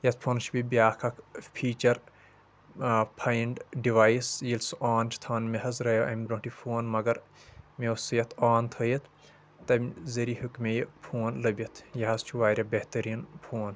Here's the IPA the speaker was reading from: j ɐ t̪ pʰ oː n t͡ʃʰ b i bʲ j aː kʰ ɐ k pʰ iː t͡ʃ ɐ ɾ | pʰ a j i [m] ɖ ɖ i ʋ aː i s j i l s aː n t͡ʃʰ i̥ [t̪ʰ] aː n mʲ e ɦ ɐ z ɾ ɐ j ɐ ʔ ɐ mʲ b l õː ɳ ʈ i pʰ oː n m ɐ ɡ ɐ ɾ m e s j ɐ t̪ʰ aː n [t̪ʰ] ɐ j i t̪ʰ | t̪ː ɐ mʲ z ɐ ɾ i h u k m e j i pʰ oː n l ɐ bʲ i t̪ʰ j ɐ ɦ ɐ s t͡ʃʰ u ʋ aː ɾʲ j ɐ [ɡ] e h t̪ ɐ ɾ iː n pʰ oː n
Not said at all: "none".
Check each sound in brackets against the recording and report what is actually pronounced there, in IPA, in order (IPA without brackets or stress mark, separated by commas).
ɳ, t̪ʰ, t̪ʰ, b